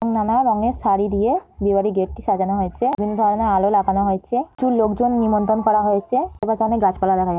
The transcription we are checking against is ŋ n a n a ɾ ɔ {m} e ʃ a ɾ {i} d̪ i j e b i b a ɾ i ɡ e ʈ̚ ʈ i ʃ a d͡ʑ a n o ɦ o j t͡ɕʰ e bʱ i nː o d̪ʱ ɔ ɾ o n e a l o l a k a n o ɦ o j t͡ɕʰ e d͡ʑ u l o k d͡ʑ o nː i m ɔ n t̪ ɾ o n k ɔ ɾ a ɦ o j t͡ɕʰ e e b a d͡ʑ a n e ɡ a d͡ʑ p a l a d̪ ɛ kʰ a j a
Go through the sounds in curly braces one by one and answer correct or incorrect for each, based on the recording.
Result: incorrect, correct

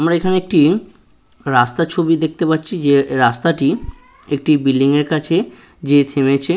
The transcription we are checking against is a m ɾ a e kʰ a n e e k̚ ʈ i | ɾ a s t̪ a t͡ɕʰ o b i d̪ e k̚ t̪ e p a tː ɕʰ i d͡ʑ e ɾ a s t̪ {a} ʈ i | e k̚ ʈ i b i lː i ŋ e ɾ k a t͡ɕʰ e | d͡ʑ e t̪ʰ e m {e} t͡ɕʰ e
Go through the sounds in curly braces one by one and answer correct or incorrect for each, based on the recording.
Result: correct, correct

